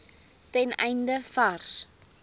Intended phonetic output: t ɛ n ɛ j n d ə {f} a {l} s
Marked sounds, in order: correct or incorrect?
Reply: correct, incorrect: r

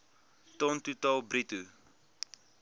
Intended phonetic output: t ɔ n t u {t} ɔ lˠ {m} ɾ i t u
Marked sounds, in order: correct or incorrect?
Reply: correct, incorrect: b

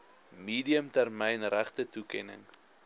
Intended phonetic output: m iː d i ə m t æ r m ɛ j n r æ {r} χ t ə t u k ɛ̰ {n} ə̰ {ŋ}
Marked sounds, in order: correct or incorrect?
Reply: incorrect: none, correct, correct

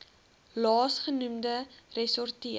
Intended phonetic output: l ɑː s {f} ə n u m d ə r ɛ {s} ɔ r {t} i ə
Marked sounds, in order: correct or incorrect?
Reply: incorrect: χ, correct, correct

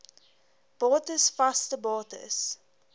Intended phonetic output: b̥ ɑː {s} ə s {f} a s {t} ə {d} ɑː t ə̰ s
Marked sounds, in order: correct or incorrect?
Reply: incorrect: t, correct, correct, incorrect: b

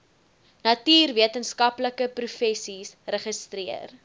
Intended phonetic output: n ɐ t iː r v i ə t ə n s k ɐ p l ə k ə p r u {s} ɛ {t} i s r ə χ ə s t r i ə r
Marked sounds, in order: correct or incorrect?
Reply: incorrect: f, incorrect: s

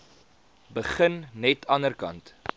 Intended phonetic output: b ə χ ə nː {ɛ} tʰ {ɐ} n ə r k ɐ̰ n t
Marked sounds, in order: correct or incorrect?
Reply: correct, correct

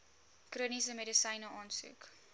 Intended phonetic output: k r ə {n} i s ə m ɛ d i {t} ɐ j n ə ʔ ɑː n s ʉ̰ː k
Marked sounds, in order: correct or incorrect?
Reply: correct, incorrect: s

